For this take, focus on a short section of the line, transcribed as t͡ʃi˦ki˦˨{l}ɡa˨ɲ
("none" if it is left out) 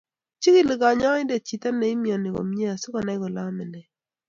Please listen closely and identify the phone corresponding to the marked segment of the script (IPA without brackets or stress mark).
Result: l